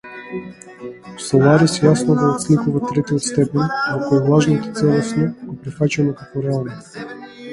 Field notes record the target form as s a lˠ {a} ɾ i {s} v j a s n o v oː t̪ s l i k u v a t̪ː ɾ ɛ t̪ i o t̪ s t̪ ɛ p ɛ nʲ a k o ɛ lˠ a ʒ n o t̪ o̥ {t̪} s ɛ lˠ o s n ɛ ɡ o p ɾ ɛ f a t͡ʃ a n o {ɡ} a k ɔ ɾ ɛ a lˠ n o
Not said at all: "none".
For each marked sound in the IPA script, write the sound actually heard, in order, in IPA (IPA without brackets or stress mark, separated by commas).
a, s, t̪, k